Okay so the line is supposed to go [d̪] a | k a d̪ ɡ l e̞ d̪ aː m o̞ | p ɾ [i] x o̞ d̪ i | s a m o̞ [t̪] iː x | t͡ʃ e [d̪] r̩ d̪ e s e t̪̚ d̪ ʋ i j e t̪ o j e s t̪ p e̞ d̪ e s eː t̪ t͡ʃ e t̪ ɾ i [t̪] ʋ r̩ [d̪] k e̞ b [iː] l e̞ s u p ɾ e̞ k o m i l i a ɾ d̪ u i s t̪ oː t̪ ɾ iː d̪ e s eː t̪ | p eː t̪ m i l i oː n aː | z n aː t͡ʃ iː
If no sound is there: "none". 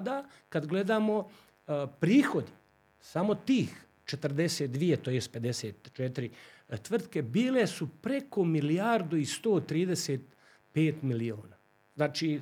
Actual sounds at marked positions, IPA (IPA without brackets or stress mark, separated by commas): d̪, iː, t̪, t̪, t̪, t̪, iː